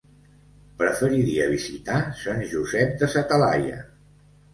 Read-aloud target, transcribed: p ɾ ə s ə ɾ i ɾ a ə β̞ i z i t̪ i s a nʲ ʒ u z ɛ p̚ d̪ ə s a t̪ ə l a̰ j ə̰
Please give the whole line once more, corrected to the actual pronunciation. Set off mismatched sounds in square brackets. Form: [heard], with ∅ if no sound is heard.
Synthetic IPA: p ɾ ə [f] ə ɾ i ɾ [i] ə β̞ i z i t̪ [a] s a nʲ ʒ u z ɛ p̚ d̪ ə s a t̪ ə l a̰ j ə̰